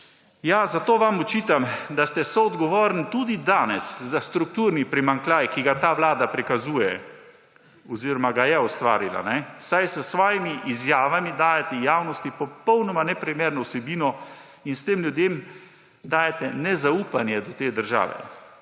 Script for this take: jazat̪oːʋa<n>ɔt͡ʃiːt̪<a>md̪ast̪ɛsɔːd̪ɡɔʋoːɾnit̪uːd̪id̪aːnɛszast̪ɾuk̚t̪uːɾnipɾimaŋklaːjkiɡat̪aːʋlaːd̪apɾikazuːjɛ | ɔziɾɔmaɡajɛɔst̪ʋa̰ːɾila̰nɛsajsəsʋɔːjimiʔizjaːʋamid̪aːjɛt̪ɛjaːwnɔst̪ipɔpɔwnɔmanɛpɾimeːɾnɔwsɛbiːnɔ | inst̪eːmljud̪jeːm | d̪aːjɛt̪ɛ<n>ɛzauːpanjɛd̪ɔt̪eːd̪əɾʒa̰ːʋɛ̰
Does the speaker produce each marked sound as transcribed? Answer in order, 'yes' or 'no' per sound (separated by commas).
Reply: no, yes, yes